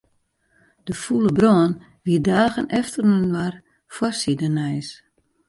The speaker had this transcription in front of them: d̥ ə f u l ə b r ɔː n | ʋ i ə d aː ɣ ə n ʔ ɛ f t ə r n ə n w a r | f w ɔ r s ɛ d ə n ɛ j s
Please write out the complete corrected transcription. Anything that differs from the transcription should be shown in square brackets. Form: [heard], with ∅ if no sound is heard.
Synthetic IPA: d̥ ə f u l ə b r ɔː n | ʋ i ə d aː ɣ ə n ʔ ɛ f t ə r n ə n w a r | f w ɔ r s [i] d ə n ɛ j s

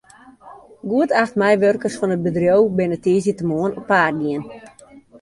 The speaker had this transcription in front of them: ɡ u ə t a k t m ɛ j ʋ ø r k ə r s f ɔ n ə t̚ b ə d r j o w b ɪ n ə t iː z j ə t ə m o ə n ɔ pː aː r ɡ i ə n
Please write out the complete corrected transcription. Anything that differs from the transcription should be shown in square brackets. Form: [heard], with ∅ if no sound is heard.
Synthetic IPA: ɡ u ə t a [x] t m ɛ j ʋ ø r k ə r s f ɔ n ə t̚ b ə d r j o w b ɪ n ə t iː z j ə t ə m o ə n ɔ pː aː r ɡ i ə n

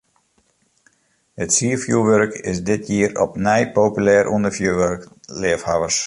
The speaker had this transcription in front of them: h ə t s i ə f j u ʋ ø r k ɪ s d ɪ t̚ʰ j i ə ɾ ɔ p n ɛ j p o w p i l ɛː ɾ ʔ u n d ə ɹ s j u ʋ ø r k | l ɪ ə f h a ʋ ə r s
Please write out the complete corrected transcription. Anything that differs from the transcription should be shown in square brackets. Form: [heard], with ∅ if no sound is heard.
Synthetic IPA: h ə t s i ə f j u ʋ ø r k ɪ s d ɪ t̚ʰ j i ə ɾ ɔ p n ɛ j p o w p [y] l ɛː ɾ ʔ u n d ə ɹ [f] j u ʋ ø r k | l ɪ ə f h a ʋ ə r s

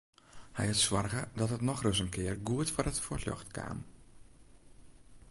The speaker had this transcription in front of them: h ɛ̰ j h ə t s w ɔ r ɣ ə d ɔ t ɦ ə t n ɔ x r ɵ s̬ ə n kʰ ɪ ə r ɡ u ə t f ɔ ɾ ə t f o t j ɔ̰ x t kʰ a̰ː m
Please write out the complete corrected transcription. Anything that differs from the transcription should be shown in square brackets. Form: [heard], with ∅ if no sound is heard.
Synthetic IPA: h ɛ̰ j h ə t s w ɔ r ɣ ə d ɔ t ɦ ə t n ɔ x r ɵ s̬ ə n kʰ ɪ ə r ɡ u ə t f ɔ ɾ ə t f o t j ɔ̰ x t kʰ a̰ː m

